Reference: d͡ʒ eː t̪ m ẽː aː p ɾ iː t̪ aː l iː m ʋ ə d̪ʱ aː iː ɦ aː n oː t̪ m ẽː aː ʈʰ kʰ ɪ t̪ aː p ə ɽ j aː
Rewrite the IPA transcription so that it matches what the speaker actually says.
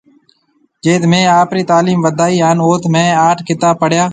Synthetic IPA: d͡ʒ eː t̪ m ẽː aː p ɾ iː t̪ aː l iː m ʋ ə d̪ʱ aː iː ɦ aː n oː t̪ m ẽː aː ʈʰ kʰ ɪ t̪ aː p ə ɽ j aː